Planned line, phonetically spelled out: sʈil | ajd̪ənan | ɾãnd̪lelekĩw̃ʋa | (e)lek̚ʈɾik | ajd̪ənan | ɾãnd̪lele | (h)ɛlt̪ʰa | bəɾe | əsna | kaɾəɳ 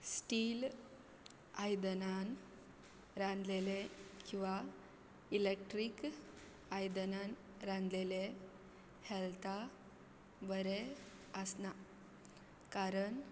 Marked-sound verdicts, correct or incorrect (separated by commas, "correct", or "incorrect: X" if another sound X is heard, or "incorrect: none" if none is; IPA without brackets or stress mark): incorrect: i, correct